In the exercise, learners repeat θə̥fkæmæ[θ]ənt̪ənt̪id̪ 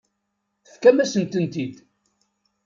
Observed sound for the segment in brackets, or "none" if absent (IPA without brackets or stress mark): s